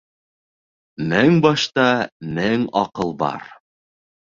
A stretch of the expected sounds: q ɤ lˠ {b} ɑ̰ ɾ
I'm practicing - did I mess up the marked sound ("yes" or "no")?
no